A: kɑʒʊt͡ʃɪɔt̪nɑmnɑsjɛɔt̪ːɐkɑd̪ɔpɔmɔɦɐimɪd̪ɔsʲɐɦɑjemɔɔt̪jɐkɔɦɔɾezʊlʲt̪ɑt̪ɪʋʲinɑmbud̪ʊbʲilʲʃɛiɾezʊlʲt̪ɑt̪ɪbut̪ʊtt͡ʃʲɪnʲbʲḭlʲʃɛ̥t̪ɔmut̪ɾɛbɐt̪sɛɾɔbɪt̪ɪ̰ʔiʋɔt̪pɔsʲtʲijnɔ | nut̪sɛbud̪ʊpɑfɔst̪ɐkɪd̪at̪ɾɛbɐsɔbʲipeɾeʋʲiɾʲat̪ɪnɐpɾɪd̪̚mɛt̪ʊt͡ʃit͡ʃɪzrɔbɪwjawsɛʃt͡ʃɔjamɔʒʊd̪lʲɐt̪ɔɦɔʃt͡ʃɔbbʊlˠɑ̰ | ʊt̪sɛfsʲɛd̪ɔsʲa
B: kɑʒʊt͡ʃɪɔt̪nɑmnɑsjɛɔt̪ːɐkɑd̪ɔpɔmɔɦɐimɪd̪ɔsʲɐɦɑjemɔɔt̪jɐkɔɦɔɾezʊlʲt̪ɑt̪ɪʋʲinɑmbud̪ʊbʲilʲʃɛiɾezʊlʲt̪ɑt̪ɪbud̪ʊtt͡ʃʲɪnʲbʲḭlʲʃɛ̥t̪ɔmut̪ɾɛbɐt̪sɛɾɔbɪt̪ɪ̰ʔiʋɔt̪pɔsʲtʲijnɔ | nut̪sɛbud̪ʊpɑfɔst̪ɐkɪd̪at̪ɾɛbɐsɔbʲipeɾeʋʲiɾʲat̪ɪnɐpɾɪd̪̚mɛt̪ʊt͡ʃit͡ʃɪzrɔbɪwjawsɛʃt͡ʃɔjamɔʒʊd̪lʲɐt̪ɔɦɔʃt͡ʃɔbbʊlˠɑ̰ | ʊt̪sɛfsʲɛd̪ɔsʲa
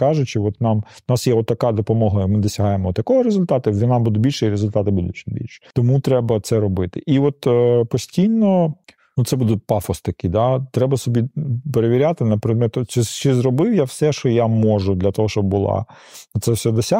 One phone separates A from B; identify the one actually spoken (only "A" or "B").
B